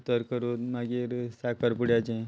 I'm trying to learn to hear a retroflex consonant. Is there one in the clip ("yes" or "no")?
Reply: yes